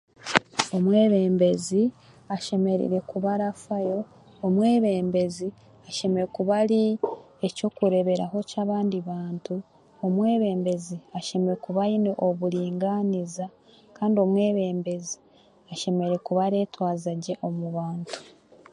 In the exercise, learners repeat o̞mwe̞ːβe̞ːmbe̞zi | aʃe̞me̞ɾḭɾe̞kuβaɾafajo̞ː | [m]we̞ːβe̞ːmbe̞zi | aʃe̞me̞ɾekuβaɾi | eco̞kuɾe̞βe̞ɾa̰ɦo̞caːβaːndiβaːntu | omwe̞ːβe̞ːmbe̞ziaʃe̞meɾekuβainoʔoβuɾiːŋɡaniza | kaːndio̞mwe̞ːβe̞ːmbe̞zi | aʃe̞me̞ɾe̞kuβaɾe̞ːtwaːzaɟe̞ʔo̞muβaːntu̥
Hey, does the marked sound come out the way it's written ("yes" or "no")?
yes